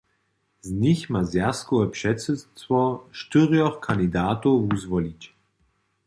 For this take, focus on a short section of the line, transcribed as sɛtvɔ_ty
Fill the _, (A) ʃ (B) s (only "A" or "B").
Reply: A